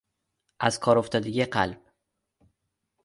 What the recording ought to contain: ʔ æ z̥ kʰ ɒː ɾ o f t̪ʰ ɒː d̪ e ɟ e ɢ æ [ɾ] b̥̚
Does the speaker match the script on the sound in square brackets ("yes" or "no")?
no